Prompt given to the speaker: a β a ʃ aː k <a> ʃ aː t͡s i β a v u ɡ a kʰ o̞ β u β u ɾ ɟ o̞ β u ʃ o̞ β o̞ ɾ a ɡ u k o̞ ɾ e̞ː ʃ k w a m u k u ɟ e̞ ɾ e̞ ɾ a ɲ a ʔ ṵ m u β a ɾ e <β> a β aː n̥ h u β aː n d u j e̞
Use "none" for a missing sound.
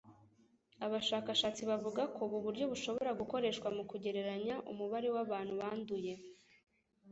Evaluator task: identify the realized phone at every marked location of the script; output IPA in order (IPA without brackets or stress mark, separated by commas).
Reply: a, w